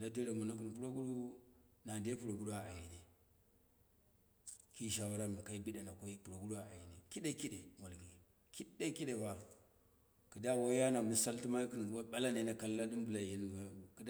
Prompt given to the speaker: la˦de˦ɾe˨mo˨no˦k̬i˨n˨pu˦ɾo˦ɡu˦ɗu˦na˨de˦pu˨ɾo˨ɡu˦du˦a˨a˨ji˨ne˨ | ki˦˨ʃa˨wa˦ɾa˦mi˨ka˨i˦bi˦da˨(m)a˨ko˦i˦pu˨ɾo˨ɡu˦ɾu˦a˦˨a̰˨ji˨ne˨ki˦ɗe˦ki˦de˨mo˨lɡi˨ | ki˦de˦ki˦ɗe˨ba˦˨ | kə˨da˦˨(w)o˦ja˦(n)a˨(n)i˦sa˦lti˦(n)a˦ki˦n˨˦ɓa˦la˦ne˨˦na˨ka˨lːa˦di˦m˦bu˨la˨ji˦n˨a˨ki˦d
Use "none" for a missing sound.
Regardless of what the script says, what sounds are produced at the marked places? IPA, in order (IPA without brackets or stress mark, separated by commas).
n, w, n, m, m